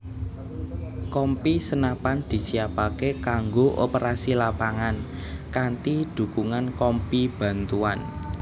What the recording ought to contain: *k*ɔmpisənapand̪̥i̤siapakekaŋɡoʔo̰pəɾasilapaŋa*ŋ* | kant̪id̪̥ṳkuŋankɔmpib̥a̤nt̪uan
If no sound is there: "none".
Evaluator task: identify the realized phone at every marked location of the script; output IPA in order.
k, n

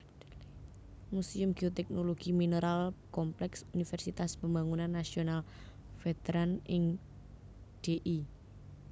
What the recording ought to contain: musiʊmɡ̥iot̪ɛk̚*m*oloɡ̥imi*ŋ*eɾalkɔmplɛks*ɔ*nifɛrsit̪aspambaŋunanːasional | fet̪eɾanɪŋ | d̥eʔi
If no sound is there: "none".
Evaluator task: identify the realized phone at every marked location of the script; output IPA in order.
n, n, u

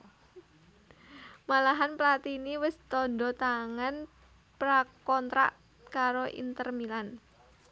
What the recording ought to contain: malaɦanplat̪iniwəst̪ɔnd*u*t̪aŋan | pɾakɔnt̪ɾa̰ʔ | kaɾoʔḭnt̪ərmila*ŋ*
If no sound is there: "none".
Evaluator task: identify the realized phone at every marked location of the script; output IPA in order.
ɔ, n

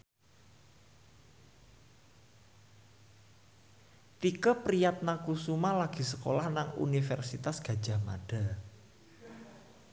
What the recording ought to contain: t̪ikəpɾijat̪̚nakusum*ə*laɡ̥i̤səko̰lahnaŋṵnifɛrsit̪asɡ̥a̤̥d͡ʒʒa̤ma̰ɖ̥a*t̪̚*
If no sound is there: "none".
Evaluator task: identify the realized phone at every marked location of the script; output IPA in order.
a, none

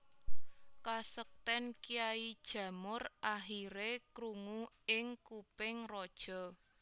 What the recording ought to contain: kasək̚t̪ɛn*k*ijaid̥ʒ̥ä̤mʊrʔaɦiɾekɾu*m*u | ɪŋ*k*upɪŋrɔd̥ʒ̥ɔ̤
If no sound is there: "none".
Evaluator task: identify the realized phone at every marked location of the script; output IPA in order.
k, ŋ, k

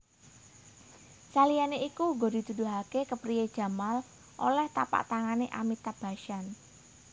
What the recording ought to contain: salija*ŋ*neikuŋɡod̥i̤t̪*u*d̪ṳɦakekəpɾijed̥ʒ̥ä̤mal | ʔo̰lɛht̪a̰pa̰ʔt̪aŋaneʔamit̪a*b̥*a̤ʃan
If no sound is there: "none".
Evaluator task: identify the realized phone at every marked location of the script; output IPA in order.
none, u, b̥

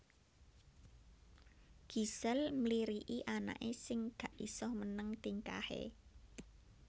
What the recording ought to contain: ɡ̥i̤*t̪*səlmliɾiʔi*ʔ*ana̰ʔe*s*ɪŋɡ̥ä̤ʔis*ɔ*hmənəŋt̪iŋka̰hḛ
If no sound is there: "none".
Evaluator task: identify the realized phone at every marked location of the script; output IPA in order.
none, ʔ, s, ɔ

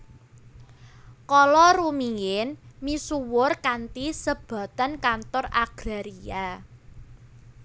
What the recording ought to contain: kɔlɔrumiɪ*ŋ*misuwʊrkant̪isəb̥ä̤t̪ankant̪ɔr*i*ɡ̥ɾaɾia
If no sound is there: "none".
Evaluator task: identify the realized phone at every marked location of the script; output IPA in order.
n, a

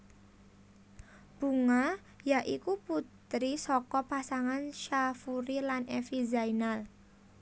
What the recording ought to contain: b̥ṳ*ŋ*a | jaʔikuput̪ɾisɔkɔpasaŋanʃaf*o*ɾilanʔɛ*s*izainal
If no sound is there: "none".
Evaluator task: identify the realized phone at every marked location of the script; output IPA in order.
ŋ, u, f

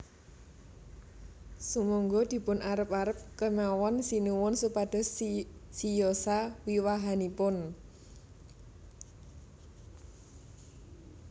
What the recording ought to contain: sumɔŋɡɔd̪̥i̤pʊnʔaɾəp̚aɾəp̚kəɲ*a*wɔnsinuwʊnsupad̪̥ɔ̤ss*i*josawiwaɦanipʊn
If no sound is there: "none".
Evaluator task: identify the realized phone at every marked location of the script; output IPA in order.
a, i

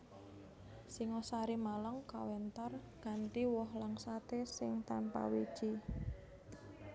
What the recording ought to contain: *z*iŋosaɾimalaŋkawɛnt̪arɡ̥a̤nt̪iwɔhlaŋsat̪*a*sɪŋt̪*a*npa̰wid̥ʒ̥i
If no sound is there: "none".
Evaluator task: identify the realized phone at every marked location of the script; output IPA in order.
s, e, a

